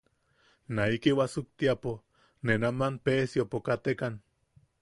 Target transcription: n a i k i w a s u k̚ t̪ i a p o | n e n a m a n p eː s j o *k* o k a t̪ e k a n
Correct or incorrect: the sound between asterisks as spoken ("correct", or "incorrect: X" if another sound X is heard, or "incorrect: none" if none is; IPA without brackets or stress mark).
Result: incorrect: p